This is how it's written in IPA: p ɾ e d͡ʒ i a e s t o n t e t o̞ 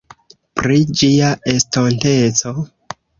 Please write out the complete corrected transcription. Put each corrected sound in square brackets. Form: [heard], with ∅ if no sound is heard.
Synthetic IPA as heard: p ɾ [i] d͡ʒ i a e s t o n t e [t͡s] o̞